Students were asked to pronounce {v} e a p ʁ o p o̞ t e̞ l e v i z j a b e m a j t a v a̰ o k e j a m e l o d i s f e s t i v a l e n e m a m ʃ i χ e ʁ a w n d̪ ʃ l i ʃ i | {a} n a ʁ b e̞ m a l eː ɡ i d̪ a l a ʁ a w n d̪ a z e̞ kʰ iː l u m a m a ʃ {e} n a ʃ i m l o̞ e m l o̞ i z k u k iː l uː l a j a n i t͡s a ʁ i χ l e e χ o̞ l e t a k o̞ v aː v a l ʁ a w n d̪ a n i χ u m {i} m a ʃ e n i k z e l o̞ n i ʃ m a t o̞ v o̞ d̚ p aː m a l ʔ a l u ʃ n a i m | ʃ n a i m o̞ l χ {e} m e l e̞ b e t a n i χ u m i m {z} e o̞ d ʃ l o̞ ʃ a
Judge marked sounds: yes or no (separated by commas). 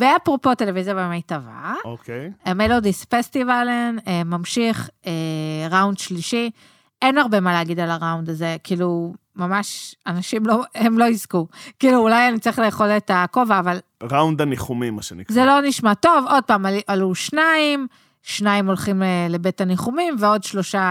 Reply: yes, no, no, yes, no, no